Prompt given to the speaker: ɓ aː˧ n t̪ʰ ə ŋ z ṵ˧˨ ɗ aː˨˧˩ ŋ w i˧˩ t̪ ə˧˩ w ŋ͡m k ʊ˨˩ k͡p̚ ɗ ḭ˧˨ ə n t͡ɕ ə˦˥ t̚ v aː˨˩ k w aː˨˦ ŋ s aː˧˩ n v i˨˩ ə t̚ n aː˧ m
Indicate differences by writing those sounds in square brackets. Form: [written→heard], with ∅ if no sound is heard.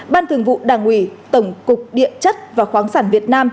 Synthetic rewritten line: ɓ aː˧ n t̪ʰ ə ŋ [z→v] ṵ˧˨ ɗ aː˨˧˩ ŋ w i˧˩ t̪ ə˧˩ w ŋ͡m k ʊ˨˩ k͡p̚ ɗ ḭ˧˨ ə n t͡ɕ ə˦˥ t̚ v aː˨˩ [k→x] w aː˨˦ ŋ s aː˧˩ n v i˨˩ ə t̚ n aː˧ m